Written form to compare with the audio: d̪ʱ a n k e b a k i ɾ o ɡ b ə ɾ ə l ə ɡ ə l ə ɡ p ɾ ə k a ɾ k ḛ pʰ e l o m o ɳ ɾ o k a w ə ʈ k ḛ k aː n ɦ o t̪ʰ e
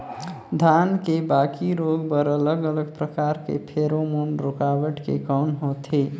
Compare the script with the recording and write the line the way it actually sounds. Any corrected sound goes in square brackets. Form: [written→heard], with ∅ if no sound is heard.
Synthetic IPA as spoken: d̪ʱ a n k e b a k i ɾ o ɡ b ə ɾ ə l ə ɡ ə l ə ɡ p ɾ ə k a ɾ k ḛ pʰ e [l→ɾ] o m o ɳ ɾ o k a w ə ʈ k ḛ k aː n ɦ o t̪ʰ e